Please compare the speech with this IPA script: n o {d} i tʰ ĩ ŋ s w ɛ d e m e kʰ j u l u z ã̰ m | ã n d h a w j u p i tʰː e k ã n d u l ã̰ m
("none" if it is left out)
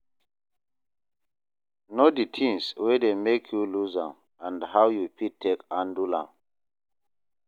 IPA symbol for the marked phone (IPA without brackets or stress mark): d